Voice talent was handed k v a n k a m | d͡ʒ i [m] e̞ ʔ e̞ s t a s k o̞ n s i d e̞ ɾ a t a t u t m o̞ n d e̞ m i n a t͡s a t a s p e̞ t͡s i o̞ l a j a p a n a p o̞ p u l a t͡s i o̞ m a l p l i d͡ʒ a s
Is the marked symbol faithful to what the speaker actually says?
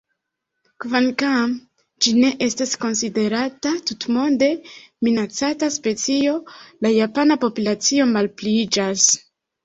no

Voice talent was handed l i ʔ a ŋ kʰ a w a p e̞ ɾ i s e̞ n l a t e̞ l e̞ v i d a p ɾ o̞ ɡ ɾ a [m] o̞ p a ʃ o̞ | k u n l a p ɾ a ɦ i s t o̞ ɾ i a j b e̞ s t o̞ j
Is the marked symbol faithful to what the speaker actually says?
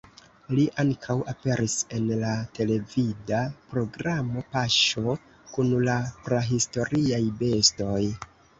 yes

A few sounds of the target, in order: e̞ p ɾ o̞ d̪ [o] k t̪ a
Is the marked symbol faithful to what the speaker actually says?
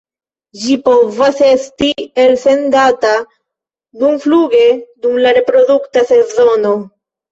no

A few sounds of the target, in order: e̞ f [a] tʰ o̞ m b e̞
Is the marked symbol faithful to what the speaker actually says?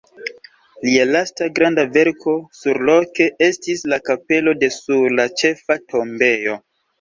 yes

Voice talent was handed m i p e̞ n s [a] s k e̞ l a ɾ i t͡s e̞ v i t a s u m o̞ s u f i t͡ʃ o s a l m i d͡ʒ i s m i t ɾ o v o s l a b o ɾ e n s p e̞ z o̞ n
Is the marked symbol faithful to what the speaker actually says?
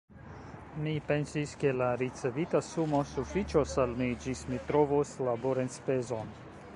no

